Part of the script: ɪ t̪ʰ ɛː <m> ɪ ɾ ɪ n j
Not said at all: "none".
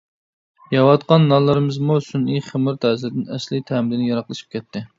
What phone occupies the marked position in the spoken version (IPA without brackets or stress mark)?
m